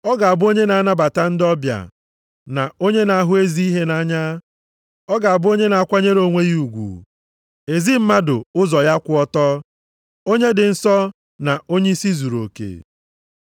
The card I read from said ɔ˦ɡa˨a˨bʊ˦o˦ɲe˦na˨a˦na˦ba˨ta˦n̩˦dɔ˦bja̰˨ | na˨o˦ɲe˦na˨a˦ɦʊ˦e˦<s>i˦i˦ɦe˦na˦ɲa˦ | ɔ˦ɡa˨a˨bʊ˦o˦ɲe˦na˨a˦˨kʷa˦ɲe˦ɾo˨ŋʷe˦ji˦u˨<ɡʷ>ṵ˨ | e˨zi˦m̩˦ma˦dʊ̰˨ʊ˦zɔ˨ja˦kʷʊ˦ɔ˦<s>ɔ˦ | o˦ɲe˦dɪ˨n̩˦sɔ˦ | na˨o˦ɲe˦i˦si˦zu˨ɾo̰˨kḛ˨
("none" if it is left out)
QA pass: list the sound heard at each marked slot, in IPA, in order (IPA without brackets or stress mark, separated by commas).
z, ɡʷ, t